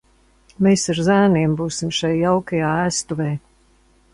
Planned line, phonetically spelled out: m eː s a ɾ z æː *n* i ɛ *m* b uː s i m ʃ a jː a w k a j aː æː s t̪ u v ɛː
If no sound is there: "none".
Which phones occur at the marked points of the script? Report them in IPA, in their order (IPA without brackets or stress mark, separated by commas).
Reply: n, m